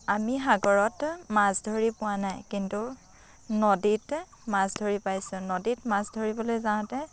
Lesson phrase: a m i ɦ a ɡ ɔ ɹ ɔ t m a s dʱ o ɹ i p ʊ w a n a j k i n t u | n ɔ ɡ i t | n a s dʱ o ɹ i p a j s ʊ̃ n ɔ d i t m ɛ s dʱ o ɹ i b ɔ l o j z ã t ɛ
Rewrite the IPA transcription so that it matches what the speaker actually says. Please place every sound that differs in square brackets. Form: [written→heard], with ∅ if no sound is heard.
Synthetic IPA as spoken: a m i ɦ a ɡ ɔ ɹ ɔ t m a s dʱ o ɹ i p ʊ w a n a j k i n t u | n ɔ [ɡ→d] i t | [n→m] a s dʱ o ɹ i p a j s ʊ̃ n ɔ d i t m [ɛ→a] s dʱ o ɹ i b ɔ l o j z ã t ɛ

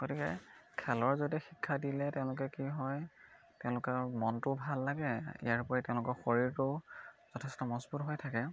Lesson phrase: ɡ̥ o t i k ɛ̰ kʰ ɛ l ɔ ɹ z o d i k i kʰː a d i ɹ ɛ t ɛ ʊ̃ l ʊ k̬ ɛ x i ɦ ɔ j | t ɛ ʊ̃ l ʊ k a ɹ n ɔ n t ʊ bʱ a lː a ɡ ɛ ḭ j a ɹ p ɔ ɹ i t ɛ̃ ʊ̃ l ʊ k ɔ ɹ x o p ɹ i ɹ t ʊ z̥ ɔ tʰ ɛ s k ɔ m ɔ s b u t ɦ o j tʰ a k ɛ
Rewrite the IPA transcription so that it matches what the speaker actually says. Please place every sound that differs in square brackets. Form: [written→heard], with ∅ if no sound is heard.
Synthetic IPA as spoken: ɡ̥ o t i k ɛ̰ kʰ ɛ l ɔ ɹ z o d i [k→x] i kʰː a d i [ɹ→l] ɛ t ɛ ʊ̃ l ʊ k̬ ɛ [x→k] i ɦ ɔ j | t ɛ ʊ̃ l ʊ k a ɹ [n→m] ɔ n t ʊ bʱ a lː a ɡ ɛ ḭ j a ɹ p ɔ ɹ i t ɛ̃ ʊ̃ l ʊ k ɔ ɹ x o [p→∅] ɹ i ɹ t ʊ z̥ ɔ tʰ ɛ s [k→t] ɔ m ɔ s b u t ɦ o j tʰ a k ɛ

